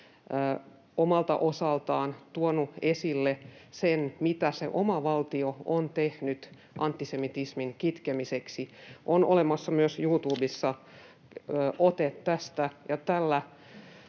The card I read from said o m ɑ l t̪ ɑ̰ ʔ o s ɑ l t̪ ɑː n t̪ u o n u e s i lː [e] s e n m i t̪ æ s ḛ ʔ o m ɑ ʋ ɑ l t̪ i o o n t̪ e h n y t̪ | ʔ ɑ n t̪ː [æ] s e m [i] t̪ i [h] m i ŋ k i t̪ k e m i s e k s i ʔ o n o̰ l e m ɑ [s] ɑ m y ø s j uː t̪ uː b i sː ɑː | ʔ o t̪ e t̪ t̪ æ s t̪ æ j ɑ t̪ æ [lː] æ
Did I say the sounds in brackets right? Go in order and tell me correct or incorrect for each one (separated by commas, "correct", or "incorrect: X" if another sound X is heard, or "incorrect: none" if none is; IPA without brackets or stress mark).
correct, incorrect: i, correct, incorrect: s, incorrect: sː, correct